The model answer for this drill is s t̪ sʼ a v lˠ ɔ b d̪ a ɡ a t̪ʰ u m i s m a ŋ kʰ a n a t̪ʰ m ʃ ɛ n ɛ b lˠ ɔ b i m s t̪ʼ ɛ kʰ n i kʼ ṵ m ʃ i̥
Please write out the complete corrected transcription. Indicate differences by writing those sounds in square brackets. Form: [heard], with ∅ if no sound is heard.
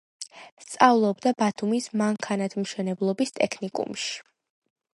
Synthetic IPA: s t̪ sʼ a v lˠ ɔ b d̪ a [b] a t̪ʰ u m i s m a ŋ kʰ a n a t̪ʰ m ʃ ɛ n ɛ b lˠ ɔ b i [∅] s t̪ʼ ɛ kʰ n i kʼ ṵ m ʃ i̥